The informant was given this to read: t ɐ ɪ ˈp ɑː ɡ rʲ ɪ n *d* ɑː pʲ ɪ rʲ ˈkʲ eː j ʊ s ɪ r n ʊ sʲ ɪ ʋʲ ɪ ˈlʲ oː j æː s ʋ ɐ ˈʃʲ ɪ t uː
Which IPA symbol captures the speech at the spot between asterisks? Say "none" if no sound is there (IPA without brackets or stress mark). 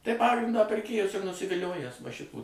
d